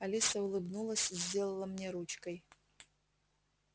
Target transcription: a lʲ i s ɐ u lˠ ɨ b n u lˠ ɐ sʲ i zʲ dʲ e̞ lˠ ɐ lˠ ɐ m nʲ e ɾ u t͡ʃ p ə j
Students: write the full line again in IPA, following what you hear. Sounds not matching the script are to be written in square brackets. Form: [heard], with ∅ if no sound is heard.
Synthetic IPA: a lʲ i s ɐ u lˠ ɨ b n u lˠ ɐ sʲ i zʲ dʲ e̞ lˠ ɐ lˠ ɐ m nʲ e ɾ u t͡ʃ [k] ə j

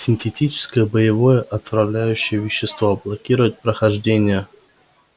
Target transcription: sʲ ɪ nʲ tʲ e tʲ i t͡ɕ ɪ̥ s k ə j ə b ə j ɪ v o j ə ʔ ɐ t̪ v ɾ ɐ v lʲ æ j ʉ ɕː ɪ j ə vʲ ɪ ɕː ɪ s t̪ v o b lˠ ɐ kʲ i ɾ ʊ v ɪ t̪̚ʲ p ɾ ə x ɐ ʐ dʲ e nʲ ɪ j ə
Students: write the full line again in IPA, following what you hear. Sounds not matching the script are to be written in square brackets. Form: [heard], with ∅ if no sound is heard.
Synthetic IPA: sʲ ɪ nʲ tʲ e tʲ i t͡ɕ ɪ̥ s k ə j ə b ə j ɪ v o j ə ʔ ɐ t̪ v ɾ ɐ v lʲ æ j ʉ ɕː ɪ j ə vʲ ɪ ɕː ɪ s t̪ v o b lˠ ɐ kʲ i ɾ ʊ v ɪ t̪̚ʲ p ɾ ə x ɐ ʐ dʲ e nʲ ɪ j ə

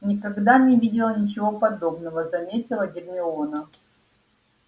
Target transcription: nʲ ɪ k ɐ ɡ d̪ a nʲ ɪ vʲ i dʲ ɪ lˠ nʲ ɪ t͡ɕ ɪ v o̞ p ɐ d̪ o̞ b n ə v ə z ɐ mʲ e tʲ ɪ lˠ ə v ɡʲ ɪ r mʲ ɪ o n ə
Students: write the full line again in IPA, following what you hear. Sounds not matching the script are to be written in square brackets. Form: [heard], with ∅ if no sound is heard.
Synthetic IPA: nʲ ɪ k ɐ ɡ d̪ a nʲ ɪ vʲ i dʲ ɪ lˠ nʲ ɪ t͡ɕ ɪ v o̞ p ɐ d̪ o̞ b n ə v ə z ɐ mʲ e tʲ ɪ lˠ ə [∅] ɡʲ ɪ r mʲ ɪ o n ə

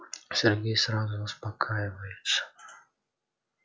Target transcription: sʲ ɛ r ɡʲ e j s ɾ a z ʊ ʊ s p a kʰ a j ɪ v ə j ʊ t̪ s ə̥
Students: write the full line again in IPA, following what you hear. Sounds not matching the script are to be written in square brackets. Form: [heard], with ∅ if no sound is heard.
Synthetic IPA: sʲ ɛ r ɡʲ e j s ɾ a z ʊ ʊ s p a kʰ a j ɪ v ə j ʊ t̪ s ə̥

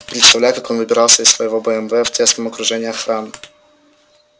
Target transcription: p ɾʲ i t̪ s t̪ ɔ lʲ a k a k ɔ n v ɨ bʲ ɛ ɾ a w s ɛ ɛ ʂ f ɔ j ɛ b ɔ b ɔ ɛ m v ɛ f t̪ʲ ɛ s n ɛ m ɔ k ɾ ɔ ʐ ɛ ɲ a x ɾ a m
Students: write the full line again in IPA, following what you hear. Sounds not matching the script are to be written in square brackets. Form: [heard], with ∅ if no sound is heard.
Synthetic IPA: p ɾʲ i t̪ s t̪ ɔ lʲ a k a k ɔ n v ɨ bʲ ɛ ɾ a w s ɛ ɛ [s] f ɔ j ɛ [v] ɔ b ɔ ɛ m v ɛ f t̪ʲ ɛ s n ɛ m ɔ k ɾ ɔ ʐ ɛ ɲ a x ɾ a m

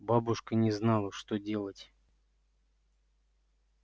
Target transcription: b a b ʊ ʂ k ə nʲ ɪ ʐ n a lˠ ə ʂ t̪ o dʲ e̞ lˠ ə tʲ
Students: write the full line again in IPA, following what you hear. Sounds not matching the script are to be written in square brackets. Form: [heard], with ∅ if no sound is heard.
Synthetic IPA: b a b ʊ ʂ k ə nʲ ɪ [z] n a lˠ ə ʂ t̪ o dʲ e̞ lˠ ə tʲ

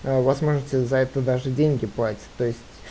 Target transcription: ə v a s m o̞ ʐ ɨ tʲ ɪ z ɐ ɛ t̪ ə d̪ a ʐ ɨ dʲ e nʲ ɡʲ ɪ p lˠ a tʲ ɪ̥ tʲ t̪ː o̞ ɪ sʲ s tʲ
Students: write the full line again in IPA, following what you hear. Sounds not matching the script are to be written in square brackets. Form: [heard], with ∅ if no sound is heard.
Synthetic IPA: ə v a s m o̞ ʐ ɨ tʲ ɪ z ɐ ɛ t̪ ə d̪ a ʐ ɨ dʲ e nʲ ɡʲ ɪ p lˠ a tʲ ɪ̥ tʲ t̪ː o̞ ɪ sʲ [t] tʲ

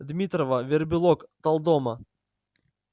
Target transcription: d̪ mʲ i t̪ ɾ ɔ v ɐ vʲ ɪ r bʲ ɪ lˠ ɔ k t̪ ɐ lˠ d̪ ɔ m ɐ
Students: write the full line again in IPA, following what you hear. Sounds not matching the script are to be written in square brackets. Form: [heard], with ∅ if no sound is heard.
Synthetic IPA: d̪ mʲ i t̪ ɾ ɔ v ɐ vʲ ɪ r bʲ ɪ lˠ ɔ k t̪ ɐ lˠ d̪ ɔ m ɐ

